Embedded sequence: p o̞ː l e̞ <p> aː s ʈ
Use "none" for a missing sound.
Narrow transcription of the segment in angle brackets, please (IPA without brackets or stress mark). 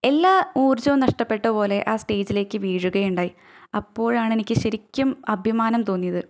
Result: ʔ